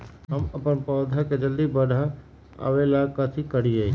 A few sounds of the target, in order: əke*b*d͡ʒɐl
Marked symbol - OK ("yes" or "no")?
no